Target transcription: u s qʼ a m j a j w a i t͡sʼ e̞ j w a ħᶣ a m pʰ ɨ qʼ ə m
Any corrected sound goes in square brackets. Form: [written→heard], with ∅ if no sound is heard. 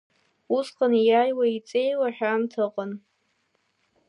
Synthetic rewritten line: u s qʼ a [m→n] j a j w a i t͡sʼ e̞ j w a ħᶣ a m [pʰ→tʰ] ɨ qʼ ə [m→n]